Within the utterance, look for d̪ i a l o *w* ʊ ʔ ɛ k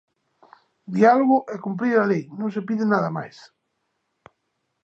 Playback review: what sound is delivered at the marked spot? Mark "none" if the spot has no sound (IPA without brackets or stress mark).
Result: ɣ